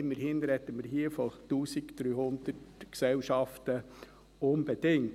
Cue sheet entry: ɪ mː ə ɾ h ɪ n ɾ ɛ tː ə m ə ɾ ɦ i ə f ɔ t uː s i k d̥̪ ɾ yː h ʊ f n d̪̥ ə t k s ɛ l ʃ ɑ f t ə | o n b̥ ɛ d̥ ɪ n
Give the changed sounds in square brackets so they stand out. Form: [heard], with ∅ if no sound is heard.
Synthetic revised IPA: ɪ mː ə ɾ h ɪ n ɾ ɛ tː ə m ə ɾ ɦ i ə f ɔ t uː s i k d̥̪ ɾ yː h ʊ [∅] n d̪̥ ə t k s ɛ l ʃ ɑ f t ə | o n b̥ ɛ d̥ ɪ [ŋ]